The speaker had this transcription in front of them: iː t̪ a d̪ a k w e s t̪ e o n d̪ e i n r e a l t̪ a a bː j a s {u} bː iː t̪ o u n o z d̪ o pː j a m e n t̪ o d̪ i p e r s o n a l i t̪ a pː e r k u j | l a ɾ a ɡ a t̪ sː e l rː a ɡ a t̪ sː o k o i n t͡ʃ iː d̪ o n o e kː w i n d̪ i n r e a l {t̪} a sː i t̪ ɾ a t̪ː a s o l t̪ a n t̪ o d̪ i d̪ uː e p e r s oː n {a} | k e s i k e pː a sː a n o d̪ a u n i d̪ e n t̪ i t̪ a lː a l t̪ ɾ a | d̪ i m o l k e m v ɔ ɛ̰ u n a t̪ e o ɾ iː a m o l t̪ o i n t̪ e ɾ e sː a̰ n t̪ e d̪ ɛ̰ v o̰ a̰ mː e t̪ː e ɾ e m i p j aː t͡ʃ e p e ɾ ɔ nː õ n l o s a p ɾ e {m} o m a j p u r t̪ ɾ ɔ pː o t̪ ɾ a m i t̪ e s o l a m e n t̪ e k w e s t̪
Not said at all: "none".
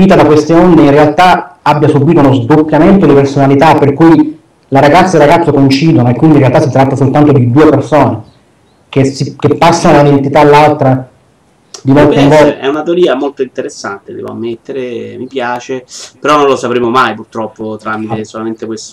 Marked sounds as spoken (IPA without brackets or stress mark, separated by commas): u, t̪, e, m